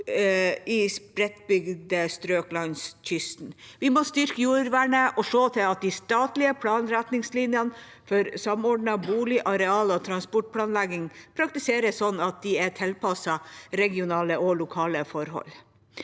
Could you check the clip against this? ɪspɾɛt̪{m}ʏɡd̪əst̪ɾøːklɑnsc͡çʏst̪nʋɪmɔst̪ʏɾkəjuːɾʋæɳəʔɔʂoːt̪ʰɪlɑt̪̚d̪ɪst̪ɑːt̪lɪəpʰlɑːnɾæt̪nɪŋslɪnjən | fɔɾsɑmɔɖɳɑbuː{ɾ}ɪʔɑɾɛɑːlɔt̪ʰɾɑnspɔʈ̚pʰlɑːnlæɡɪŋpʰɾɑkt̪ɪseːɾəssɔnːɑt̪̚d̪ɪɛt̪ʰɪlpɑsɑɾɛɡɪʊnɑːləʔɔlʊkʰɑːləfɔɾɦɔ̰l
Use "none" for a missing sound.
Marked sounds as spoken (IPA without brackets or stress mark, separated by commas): b, l